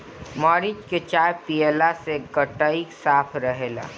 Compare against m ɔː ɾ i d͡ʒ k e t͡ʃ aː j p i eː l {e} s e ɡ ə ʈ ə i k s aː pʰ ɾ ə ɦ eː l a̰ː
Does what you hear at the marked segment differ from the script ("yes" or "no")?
yes